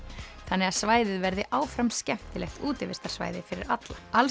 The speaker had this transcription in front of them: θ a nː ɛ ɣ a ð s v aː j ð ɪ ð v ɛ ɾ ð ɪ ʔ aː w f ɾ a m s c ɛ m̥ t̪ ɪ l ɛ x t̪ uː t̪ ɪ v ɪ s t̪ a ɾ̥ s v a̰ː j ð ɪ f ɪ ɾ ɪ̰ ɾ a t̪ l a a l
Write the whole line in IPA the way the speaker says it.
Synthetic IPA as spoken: θ a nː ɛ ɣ a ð s v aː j ð ɪ ð v ɛ ɾ ð ɪ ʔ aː w f ɾ a m s c ɛ m̥ t̪ ɪ l ɛ x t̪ uː t̪ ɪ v ɪ s t̪ a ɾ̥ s v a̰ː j ð ɪ f ɪ ɾ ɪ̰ ɾ a t̪ l a a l